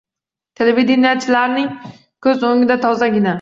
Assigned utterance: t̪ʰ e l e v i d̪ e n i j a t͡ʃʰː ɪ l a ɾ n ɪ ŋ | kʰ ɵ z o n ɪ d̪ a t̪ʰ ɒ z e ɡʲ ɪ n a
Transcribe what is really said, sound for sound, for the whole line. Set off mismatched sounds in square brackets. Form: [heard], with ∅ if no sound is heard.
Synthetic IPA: t̪ʰ e l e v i d̪ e n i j a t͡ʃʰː ɪ l a ɾ n ɪ ŋ | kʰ ɵ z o [ŋ] ɪ d̪ a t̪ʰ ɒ z [a] ɡʲ ɪ n a